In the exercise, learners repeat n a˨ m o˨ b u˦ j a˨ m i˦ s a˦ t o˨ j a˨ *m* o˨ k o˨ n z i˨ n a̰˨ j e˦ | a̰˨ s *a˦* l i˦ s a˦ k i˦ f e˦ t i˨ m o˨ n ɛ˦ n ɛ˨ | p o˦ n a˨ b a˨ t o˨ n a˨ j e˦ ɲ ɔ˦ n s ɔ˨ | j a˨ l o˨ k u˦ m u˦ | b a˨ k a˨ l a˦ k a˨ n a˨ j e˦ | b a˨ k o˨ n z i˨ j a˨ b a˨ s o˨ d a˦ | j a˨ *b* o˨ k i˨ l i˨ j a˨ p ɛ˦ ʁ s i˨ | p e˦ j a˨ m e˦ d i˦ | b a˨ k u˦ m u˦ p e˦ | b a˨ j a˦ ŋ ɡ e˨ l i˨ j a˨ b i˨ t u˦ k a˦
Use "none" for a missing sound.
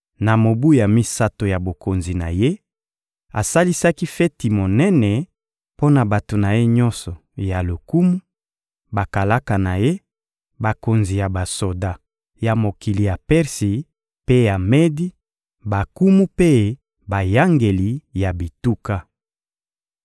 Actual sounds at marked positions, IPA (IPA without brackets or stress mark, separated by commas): b, a˦, m